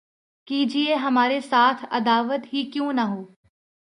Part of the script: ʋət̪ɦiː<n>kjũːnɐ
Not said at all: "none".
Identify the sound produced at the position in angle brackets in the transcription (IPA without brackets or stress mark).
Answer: none